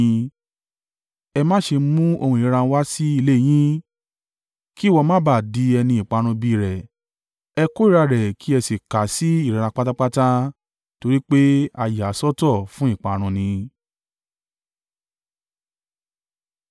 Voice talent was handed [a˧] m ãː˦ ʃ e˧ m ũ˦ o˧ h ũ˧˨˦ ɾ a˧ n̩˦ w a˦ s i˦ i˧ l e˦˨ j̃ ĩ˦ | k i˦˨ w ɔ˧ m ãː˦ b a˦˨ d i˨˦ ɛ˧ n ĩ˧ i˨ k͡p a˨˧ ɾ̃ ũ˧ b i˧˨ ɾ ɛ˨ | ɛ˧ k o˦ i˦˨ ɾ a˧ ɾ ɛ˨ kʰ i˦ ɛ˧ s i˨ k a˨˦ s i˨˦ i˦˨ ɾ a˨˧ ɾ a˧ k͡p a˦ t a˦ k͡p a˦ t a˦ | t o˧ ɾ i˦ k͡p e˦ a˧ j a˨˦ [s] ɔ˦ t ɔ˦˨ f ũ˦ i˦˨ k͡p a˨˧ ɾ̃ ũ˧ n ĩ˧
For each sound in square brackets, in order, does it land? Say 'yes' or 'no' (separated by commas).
no, yes